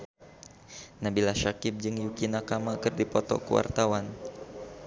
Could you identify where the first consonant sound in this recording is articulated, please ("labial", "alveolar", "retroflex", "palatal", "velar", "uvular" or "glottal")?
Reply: alveolar